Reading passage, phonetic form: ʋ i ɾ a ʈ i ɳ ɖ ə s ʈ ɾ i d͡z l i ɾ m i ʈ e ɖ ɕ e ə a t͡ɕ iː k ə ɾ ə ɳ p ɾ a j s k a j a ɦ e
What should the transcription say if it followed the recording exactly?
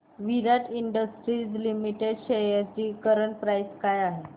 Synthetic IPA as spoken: ʋ i ɾ a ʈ i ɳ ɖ ə s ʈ ɾ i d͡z l i m i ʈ e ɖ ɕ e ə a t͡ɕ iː k ə ɾ ə ɳ p ɾ a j s k a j a ɦ e